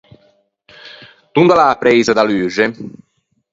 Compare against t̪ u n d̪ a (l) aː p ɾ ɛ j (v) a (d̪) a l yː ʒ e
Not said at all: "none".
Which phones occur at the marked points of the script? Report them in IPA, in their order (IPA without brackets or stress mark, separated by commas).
l, z, d̪